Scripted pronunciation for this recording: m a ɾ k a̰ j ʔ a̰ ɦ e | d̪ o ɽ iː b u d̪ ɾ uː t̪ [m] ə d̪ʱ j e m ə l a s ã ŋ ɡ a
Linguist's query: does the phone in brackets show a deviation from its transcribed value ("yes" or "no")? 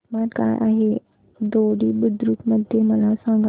no